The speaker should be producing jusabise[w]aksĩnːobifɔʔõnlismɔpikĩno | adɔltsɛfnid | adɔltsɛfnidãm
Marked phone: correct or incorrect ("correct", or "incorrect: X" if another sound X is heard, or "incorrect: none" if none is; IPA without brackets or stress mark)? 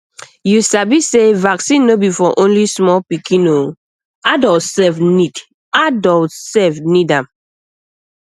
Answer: incorrect: v